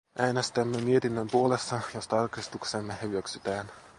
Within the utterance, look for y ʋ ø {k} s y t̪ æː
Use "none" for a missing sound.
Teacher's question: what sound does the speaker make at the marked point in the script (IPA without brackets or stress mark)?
k